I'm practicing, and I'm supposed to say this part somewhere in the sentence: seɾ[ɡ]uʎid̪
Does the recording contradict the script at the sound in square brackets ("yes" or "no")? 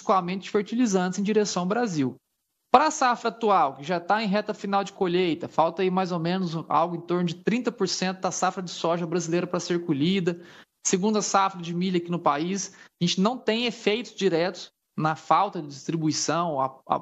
yes